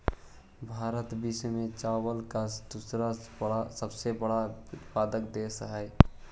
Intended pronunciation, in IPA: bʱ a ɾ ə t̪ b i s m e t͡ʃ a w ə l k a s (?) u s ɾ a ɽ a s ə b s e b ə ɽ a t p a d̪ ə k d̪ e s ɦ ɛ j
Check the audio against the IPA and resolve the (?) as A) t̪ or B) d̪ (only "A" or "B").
B